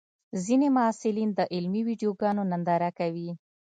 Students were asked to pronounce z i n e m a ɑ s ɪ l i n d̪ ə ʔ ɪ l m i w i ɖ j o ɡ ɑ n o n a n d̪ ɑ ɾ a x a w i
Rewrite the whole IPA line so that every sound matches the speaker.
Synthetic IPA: z i n e m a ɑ s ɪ l i n d̪ ə ʔ ɪ l m i w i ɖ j o ɡ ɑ n o n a n d̪ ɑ ɾ a k a w i